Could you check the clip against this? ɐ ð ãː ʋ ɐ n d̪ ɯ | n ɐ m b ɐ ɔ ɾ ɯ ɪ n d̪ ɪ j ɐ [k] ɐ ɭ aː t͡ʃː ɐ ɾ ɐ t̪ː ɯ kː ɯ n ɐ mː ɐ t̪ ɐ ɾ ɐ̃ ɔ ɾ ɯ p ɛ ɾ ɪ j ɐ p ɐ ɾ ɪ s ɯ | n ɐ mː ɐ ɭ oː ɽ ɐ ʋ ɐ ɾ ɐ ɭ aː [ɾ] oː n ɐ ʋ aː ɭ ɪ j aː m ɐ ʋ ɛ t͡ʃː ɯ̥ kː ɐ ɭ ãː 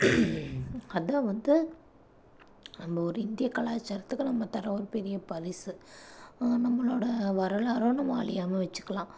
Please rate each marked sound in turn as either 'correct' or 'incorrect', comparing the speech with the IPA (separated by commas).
correct, correct